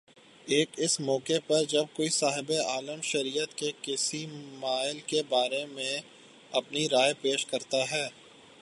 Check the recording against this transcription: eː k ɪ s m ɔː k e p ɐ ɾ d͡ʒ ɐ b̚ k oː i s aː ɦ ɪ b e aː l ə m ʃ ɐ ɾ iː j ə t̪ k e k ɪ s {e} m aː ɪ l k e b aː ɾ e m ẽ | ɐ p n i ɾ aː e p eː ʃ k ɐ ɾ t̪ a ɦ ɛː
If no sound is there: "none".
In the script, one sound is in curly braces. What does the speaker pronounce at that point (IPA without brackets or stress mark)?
i